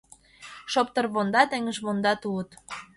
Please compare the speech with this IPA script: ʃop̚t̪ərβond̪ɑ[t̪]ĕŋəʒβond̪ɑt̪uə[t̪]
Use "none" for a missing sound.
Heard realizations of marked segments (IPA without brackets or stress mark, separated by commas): t̪, t̪